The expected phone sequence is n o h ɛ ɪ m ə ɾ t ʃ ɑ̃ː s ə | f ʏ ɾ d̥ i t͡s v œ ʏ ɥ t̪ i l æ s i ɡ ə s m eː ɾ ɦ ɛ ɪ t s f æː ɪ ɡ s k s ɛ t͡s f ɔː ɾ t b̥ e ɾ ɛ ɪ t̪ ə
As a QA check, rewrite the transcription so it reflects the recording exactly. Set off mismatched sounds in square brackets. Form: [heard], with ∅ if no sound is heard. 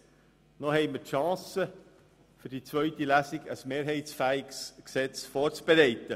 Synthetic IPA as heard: n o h ɛ ɪ m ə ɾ t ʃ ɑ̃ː s ə | f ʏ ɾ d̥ i t͡s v œ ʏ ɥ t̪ i l æ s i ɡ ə s m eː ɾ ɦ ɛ ɪ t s f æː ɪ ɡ s k s ɛ t͡s f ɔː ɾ [t͡s] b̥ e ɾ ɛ ɪ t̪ ə

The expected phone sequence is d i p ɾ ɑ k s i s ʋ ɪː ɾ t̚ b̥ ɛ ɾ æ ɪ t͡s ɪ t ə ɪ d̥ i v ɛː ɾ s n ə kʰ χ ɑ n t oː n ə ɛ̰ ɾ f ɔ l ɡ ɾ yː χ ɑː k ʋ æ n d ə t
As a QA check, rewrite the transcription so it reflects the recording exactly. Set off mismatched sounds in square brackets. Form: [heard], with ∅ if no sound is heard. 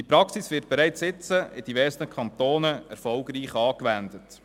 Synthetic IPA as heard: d i p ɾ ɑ k s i s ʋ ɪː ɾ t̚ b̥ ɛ ɾ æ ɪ t͡s ɪ [t͡s] ə ɪ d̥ i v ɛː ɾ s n ə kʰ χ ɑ n t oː n ə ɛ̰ ɾ f ɔ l ɡ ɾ [iː] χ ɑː k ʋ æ n d ə t

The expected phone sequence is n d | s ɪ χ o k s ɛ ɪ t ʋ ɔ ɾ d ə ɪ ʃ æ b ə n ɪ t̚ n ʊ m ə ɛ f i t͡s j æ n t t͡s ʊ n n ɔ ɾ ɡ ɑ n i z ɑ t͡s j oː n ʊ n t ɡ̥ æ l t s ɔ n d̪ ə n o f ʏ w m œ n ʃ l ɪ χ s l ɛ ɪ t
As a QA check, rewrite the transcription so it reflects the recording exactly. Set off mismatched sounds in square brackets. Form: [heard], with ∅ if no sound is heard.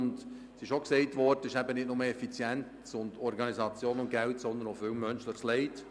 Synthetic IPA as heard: n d | s ɪ [ʃ] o k s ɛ ɪ t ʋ ɔ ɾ d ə ɪ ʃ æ b ə n ɪ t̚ n ʊ m ə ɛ f i t͡s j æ n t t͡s ʊ n [d] ɔ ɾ ɡ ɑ n i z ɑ t͡s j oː n ʊ n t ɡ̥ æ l t s ɔ n d̪ ə n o f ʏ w m œ n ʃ l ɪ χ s l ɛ ɪ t

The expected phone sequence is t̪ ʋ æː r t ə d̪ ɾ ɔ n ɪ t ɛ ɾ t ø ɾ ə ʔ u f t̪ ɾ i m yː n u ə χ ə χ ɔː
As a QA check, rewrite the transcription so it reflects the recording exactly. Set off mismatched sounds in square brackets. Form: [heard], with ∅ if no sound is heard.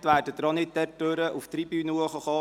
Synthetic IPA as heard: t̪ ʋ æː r [d] ə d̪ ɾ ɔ n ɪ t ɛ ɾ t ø ɾ ə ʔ u f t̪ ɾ i [b] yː n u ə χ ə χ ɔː

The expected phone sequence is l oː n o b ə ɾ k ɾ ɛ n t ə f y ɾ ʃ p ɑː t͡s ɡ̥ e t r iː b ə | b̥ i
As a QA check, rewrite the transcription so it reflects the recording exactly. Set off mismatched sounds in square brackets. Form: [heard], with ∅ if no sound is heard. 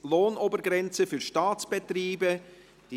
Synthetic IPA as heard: l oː n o b ə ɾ [ɡ] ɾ ɛ n [t͡s] ə f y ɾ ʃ [t] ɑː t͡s [b̥] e t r iː b ə | [d̥] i

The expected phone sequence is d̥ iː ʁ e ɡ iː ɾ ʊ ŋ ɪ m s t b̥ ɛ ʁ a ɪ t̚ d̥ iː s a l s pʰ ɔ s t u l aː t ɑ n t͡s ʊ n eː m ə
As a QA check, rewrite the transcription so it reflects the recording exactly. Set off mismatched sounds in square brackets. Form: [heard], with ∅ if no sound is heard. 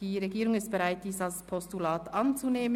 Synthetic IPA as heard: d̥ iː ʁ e ɡ iː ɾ ʊ ŋ ɪ [∅] s t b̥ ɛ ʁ a ɪ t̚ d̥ iː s a l s pʰ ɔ s t u l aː t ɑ n t͡s [u] n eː m ə

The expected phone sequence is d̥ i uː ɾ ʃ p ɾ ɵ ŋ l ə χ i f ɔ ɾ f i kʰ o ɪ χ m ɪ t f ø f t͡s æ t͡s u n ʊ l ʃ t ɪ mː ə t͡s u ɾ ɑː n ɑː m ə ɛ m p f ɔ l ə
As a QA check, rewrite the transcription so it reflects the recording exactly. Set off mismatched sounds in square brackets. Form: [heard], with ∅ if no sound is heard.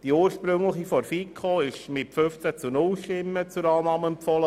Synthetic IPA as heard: d̥ i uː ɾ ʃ p ɾ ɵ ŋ l ə χ i f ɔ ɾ f i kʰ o ɪ [ʃ] m ɪ t f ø f t͡s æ t͡s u n ʊ l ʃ t ɪ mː ə t͡s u ɾ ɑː n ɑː m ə ɛ m p f ɔ l ə

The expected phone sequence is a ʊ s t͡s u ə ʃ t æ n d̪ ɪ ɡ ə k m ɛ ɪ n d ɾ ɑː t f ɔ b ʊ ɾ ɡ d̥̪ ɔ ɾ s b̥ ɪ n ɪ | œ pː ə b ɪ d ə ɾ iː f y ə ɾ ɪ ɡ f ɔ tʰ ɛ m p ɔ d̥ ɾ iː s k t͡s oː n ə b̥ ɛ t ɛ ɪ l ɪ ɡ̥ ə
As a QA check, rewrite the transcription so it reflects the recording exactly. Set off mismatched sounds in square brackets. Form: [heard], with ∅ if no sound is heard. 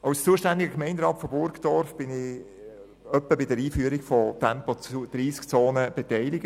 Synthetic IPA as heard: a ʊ s t͡s u ə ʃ t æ n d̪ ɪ ɡ ə k m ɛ ɪ n d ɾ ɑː t f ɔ b ʊ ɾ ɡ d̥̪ ɔ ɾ [f] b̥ ɪ n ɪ | œ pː ə b ɪ d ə ɾ iː f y ə ɾ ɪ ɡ f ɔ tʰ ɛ m p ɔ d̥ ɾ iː s k t͡s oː n ə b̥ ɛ t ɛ ɪ l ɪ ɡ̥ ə

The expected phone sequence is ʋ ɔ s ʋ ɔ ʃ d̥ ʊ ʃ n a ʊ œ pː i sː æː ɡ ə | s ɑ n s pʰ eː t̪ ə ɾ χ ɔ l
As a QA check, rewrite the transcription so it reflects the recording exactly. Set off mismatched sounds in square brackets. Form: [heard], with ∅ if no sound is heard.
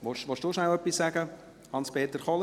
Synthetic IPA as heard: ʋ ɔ [ʃ] ʋ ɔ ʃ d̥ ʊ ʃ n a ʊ œ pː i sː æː ɡ ə | [h] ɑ n s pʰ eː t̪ ə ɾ χ ɔ l

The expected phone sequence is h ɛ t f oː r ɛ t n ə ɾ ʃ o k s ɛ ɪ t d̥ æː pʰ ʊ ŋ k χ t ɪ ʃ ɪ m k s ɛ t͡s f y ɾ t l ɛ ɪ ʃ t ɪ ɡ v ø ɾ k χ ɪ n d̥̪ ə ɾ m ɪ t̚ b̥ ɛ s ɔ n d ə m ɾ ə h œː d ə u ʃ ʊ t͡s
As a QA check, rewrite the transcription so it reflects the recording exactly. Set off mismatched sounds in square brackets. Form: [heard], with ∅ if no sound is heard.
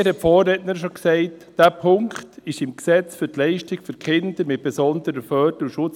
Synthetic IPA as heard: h ɛ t f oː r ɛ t n ə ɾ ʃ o k s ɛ ɪ t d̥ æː pʰ ʊ ŋ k χ t ɪ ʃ ɪ m k s ɛ t͡s f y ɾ t l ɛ ɪ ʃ t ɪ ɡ [f] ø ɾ k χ ɪ n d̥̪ ə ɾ m ɪ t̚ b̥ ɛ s ɔ n d ə [∅] ɾ ə [f] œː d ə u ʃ ʊ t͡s

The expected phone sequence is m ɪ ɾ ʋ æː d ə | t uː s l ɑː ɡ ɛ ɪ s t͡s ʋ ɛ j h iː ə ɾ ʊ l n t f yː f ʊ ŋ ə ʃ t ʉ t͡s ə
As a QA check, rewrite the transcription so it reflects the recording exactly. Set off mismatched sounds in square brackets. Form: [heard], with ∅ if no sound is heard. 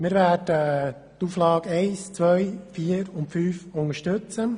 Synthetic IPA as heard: m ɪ ɾ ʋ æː d ə | t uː [f] l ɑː ɡ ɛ ɪ s t͡s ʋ [œ] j [f] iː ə ɾ ʊ [∅] n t f yː f ʊ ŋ ə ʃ t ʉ t͡s ə

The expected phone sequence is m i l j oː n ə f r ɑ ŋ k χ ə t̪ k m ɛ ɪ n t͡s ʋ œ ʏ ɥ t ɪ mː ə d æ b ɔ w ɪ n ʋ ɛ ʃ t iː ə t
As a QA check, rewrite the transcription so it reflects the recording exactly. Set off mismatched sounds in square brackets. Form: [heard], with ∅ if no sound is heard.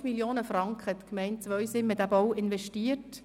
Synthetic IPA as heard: m i l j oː n ə f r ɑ ŋ k χ ə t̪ k m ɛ ɪ n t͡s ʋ œ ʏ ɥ [s] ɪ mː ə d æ b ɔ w ɪ n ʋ ɛ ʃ t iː ə t

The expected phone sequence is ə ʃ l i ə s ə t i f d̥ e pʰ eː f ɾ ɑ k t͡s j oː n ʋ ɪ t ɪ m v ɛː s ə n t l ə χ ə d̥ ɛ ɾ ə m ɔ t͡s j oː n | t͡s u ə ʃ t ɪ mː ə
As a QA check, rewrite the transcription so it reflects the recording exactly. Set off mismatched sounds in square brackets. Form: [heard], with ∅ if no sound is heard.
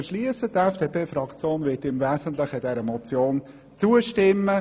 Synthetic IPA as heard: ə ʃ l i ə s ə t [ɛ] f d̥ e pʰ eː f ɾ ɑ k t͡s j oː n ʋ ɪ t ɪ m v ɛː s ə n t l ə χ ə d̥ ɛ ɾ ə m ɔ t͡s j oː n | t͡s u ə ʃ t ɪ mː ə

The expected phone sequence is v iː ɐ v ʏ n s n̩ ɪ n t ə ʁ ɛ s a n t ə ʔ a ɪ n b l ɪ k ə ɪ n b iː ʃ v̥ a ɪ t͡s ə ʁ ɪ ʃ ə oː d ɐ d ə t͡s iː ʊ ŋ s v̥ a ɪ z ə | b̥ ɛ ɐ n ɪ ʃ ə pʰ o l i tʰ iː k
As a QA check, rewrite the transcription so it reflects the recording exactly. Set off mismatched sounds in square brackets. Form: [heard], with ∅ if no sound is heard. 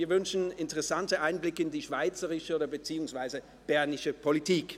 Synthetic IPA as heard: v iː ɐ v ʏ n [ʃ] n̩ ɪ n t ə ʁ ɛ s a n t ə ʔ a ɪ n b l ɪ k ə ɪ n [d] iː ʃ v̥ a ɪ t͡s ə ʁ ɪ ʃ ə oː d ɐ [b] ə t͡s iː ʊ ŋ s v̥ a ɪ z ə | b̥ ɛ ɐ n ɪ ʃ ə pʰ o l i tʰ iː k

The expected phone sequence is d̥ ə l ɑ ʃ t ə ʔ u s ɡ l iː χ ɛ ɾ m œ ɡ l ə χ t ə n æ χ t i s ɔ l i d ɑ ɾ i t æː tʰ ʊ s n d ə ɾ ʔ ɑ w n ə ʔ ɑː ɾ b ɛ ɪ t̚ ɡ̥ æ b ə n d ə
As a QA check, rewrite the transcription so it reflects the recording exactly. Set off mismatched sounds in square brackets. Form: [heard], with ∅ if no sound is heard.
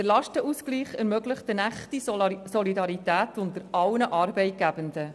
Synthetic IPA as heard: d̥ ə l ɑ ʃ t ə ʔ u s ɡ l iː χ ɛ ɾ m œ ɡ l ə χ t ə n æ χ t i s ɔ l i d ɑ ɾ i t æː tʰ ʊ [∅] n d ə ɾ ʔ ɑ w n ə ʔ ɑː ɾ b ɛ ɪ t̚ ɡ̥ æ b ə n d ə

